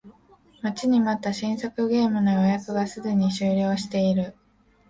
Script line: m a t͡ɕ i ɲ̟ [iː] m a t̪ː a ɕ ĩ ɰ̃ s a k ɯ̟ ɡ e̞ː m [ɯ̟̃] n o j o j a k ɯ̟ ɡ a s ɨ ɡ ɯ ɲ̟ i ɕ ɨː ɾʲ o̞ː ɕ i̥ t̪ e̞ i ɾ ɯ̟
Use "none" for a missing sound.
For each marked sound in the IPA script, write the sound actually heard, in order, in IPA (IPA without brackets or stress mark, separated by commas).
i, ɯ̟